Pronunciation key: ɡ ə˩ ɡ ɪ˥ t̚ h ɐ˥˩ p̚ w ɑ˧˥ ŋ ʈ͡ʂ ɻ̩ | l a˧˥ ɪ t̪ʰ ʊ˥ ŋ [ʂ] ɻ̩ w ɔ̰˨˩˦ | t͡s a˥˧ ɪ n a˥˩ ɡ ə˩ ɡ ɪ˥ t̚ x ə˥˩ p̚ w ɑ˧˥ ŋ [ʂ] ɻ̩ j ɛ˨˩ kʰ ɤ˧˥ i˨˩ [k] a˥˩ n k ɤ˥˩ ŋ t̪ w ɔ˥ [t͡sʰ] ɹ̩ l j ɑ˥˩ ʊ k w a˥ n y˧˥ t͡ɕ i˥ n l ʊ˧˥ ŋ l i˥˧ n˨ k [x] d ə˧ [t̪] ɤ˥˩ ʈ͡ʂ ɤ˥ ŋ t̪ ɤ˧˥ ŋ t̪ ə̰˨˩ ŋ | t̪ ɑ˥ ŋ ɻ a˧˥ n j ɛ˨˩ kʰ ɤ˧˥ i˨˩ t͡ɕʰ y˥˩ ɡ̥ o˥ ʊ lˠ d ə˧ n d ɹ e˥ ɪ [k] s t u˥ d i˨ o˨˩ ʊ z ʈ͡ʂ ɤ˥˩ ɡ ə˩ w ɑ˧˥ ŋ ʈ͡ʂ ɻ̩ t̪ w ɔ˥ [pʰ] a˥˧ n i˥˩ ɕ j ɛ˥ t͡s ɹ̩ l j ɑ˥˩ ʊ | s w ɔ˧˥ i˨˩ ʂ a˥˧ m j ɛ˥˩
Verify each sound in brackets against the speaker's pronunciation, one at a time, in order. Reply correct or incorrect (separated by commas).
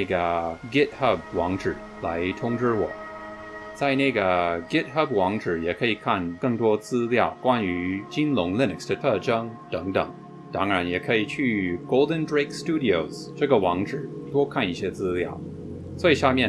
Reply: incorrect, incorrect, incorrect, incorrect, incorrect, incorrect, correct, incorrect